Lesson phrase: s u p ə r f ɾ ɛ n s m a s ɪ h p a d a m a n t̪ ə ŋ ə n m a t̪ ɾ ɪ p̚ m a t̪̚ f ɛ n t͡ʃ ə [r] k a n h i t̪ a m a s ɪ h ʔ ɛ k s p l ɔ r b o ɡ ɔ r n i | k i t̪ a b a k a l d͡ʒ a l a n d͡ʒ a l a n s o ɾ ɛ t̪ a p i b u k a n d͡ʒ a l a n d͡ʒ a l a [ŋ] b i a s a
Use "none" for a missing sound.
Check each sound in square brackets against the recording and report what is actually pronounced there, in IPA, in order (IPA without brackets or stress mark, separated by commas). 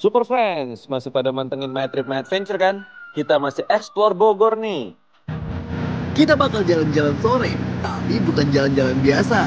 r, n